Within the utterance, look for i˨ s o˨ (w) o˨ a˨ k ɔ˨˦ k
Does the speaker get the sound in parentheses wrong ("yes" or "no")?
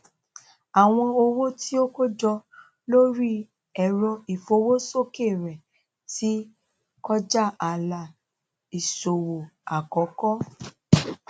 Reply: no